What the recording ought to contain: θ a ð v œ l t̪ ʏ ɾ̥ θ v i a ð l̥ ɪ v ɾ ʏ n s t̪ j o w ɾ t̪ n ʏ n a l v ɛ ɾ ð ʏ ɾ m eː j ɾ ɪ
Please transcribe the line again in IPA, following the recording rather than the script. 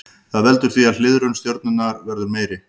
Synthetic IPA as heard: θ a ð v ɛ l t̪ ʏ ɾ̥ θ v i a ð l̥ ɪ ð ɾ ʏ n s t̪ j o w ɾ t̪ n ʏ n a ɾ v ɛ ɾ ð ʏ ɾ m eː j ɾ ɪ